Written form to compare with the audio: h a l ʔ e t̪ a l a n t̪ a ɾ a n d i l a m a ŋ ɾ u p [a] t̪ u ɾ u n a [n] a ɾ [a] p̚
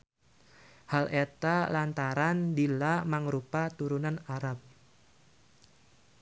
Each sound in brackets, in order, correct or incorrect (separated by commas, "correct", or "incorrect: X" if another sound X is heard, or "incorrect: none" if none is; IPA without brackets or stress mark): correct, correct, correct